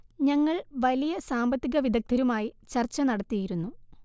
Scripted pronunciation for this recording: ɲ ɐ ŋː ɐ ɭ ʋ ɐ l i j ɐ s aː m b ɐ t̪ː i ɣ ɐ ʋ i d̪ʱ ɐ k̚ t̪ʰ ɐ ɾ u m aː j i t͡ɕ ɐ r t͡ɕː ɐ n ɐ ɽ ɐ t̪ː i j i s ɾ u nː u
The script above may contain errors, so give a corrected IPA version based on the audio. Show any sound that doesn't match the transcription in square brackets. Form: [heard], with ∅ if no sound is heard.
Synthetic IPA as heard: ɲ ɐ ŋː ɐ ɭ ʋ ɐ l i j ɐ s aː m b ɐ t̪ː i ɣ ɐ ʋ i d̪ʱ ɐ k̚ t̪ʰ ɐ ɾ u m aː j i t͡ɕ ɐ r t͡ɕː ɐ n ɐ ɽ ɐ t̪ː i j i [∅] ɾ u nː u